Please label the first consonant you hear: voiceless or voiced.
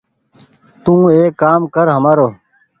voiceless